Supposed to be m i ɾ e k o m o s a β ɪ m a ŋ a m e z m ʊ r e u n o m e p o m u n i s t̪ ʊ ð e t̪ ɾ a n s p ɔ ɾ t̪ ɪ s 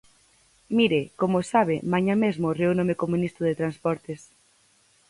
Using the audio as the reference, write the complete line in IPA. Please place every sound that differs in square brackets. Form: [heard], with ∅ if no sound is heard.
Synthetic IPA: m i ɾ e k o m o s a β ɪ m a [ɲ] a m e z m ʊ r e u n o m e [k] o m u n i s t̪ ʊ ð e t̪ ɾ a n s p ɔ ɾ t̪ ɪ s